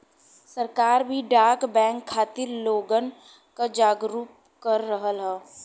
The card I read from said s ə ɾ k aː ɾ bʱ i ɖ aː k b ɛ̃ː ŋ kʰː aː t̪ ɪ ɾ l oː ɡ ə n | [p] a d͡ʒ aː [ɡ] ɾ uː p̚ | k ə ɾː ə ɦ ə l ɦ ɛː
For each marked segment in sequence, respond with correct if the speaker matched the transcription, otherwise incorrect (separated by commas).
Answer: incorrect, correct